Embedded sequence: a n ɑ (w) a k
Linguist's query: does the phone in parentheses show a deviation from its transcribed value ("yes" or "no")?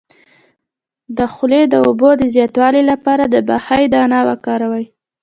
no